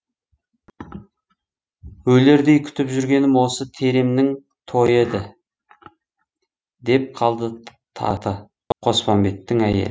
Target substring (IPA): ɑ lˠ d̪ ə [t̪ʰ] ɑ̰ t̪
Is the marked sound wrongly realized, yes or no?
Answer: no